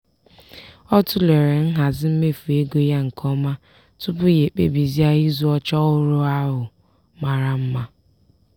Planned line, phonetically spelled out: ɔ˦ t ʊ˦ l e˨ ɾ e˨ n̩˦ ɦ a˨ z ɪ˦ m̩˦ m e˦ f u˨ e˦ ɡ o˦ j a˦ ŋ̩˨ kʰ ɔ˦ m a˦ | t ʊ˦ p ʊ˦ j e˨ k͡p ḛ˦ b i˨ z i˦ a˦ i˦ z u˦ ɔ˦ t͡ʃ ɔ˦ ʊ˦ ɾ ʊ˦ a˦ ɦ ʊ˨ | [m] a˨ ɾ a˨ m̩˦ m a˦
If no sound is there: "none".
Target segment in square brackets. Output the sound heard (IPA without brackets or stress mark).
m